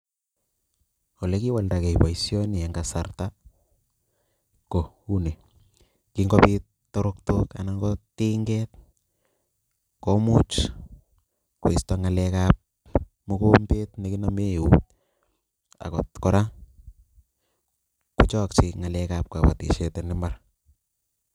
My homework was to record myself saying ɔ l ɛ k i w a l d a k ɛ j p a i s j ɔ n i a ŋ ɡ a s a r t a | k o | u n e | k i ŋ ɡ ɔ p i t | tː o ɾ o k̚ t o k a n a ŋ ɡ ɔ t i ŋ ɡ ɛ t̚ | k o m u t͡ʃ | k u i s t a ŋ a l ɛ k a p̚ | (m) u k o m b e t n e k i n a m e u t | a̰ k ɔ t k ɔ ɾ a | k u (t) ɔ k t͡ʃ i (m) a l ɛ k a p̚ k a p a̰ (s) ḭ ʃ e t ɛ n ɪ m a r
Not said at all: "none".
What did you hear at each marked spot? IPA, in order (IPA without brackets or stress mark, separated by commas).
m, t͡ʃ, ŋ, t